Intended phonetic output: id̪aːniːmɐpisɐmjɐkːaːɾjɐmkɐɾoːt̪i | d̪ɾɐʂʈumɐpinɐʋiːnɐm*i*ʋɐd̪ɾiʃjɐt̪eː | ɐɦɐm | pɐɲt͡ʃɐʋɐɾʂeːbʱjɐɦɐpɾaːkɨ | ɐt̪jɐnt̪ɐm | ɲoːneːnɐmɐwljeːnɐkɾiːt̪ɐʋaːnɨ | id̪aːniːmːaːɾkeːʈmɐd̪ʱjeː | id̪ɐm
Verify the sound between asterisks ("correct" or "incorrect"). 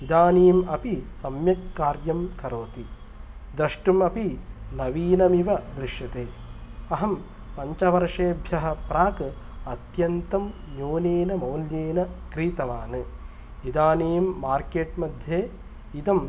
correct